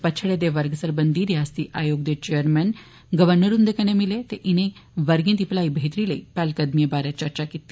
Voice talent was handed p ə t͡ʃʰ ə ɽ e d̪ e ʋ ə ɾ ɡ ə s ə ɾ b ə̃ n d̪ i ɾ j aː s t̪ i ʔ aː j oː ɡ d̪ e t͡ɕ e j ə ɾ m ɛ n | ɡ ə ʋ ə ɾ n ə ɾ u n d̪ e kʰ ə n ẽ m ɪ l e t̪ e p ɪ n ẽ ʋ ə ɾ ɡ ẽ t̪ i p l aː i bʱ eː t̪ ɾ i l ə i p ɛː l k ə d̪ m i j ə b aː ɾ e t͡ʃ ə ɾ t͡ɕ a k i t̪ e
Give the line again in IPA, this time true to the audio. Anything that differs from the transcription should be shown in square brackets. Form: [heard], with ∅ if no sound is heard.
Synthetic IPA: p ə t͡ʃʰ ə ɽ e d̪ e ʋ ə ɾ ɡ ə s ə ɾ b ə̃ n d̪ i ɾ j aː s t̪ i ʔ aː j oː ɡ d̪ e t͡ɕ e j ə ɾ m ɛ n | ɡ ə ʋ ə ɾ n ə ɾ u n d̪ e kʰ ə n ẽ m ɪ l e t̪ e [ʔ] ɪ n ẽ ʋ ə ɾ ɡ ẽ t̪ i p l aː i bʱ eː t̪ ɾ i l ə i p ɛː l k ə d̪ m i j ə b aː ɾ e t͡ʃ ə ɾ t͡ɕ a k i t̪ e